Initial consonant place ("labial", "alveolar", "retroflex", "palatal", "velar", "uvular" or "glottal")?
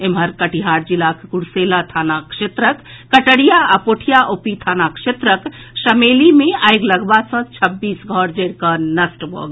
labial